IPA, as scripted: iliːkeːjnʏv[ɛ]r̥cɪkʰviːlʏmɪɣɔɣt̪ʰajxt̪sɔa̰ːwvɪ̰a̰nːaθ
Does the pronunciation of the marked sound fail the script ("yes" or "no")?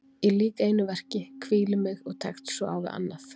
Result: no